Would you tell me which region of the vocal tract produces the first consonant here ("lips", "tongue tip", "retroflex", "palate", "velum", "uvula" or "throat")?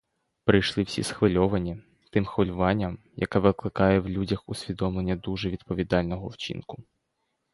lips